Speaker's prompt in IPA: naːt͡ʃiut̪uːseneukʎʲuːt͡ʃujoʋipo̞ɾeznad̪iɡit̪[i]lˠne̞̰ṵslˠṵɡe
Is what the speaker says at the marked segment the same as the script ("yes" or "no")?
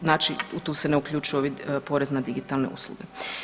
no